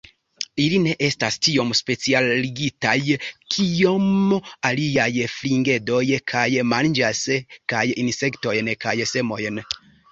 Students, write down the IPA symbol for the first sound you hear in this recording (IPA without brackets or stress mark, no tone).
i